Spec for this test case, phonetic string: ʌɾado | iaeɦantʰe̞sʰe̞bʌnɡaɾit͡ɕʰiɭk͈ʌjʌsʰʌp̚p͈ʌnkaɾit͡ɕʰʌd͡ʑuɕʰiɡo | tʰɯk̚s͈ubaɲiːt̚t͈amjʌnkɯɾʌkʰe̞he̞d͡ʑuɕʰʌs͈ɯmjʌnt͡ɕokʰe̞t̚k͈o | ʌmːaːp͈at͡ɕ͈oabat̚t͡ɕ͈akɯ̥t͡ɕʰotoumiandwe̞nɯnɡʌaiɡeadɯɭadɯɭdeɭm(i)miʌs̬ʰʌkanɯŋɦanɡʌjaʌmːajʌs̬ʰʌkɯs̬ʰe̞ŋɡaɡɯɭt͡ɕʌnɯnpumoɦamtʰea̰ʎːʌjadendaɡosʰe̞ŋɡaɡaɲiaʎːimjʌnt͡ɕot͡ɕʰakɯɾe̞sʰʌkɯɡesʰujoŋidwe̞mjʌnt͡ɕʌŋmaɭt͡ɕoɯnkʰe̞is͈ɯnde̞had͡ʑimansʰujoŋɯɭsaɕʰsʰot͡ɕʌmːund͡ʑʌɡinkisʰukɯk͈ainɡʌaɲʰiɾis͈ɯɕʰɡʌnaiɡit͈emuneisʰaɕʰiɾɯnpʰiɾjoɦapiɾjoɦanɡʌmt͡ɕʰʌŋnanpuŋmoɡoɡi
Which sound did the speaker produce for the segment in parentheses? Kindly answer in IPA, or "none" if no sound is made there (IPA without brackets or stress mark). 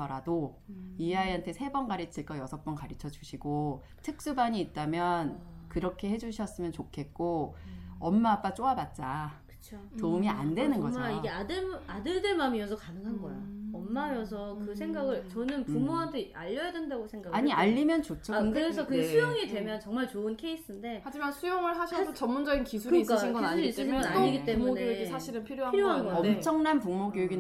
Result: a